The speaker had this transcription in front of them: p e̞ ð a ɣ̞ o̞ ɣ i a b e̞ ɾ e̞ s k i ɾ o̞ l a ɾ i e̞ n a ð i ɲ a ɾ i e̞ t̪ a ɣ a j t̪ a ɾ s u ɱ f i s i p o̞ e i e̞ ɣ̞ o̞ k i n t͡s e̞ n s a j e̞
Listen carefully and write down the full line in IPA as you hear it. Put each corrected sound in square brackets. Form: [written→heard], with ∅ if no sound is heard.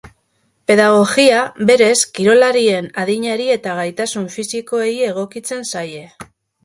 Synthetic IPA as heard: p e̞ ð a ɣ̞ o̞ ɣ i a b e̞ ɾ e̞ s k i ɾ o̞ l a ɾ i e̞ n a ð i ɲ a ɾ i e̞ t̪ a ɣ a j t̪ a [ɾ→∅] s u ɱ f i s i [p→k] o̞ e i e̞ ɣ̞ o̞ k i [n→∅] t͡s e̞ n s a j e̞